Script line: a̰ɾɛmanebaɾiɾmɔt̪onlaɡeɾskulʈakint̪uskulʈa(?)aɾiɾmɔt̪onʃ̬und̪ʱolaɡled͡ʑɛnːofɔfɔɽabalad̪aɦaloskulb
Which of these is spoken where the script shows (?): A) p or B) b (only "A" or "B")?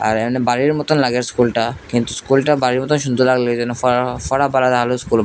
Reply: B